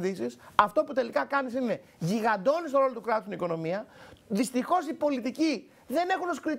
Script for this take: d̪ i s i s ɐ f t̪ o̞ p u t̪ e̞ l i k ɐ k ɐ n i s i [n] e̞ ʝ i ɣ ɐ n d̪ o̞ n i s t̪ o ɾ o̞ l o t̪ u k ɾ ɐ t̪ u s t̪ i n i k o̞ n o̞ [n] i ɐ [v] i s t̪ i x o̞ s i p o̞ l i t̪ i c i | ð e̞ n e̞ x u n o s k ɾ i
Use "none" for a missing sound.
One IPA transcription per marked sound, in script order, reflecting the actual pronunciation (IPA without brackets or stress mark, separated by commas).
n, m, ð